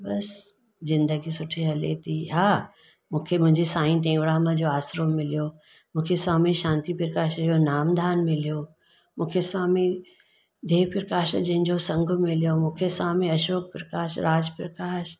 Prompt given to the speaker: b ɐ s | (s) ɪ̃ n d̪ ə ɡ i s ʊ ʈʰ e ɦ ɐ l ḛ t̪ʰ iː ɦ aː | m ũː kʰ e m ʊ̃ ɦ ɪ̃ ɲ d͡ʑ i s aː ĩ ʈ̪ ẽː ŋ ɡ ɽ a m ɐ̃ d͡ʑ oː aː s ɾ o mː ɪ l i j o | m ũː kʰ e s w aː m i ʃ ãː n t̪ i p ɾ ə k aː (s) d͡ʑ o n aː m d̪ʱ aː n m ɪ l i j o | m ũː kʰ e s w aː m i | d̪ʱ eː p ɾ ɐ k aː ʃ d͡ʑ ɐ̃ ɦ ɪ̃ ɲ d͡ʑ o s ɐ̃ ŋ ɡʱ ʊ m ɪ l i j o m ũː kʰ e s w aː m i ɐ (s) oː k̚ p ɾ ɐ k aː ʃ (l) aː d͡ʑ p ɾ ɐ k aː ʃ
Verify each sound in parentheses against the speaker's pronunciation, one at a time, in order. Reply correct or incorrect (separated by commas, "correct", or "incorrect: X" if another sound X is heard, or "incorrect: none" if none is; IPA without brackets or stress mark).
incorrect: z, incorrect: ʃ, incorrect: ʃ, incorrect: ɾ